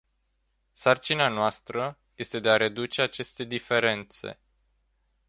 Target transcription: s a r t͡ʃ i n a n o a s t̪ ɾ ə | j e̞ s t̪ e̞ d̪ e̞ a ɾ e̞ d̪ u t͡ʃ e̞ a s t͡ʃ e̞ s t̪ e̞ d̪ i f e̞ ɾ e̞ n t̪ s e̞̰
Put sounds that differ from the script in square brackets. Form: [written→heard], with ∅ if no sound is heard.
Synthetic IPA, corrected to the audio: s a r t͡ʃ i n a n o a s t̪ ɾ ə | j e̞ s t̪ e̞ d̪ e̞ a ɾ e̞ d̪ u t͡ʃ e̞ a [s→∅] t͡ʃ e̞ s t̪ e̞ d̪ i f e̞ ɾ e̞ n t̪ s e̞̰